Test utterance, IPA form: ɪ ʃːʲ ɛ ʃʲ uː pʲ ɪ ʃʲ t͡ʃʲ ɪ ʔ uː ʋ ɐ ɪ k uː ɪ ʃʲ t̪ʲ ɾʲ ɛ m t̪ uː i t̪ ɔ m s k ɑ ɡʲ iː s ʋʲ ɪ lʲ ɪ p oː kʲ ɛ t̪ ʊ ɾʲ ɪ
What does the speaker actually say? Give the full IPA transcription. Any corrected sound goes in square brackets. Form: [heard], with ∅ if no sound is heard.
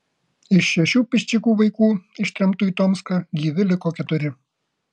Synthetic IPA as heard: ɪ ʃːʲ ɛ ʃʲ uː pʲ ɪ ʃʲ t͡ʃʲ ɪ [k] uː ʋ ɐ ɪ k uː ɪ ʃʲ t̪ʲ ɾʲ ɛ m t̪ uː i t̪ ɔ m s k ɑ ɡʲ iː [∅] ʋʲ ɪ lʲ ɪ [k] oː kʲ ɛ t̪ ʊ ɾʲ ɪ